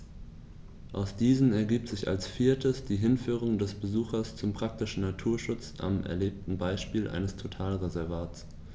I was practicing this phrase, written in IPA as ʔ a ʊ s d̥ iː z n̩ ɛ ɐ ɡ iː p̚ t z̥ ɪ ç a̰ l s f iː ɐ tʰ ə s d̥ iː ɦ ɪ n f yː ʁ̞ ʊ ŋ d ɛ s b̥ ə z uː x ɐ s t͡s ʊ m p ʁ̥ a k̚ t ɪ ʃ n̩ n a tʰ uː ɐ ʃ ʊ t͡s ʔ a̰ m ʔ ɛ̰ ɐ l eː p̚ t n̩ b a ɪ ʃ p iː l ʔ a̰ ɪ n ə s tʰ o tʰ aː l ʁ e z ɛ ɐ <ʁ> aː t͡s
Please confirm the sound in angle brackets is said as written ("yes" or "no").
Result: no